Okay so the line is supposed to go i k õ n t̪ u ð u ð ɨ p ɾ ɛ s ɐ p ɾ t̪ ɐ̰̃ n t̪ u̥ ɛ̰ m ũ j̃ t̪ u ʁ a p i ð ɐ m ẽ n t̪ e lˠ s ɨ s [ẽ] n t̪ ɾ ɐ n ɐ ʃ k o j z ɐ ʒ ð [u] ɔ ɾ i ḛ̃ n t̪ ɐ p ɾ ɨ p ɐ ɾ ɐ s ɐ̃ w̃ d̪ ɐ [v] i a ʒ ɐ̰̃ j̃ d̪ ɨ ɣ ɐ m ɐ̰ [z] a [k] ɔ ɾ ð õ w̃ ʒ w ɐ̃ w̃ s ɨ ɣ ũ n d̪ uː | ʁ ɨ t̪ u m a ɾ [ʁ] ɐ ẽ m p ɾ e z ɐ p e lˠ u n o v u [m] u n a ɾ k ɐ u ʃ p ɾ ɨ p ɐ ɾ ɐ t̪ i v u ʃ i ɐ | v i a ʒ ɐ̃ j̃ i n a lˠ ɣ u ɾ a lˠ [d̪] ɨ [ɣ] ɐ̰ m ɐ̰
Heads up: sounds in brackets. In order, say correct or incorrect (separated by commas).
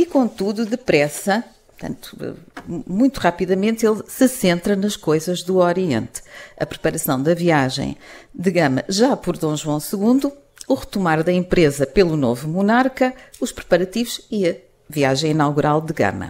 correct, correct, correct, incorrect, incorrect, incorrect, correct, correct, correct